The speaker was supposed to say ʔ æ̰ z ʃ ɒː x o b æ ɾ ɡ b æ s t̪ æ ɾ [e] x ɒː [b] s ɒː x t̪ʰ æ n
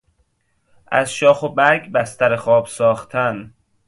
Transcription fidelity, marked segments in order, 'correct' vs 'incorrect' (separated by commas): correct, correct